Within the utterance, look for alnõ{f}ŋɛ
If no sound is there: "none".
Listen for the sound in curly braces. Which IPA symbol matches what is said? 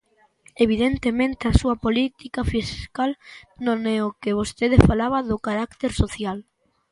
none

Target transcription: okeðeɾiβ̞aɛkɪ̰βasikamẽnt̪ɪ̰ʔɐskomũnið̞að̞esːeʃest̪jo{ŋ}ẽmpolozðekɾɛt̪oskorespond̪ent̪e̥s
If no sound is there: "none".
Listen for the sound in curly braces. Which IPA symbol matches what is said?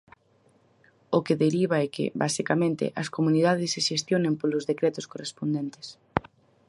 n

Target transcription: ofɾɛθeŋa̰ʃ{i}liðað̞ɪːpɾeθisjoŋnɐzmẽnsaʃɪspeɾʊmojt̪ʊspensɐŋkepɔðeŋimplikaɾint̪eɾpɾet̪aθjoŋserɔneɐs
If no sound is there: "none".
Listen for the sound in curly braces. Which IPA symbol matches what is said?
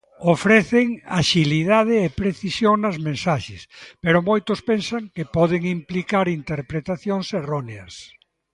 i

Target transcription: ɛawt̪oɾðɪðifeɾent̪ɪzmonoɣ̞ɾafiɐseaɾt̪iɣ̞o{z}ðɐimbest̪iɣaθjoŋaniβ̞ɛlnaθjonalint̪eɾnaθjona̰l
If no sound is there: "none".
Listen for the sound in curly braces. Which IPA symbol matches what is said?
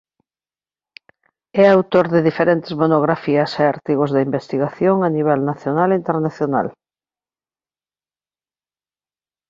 z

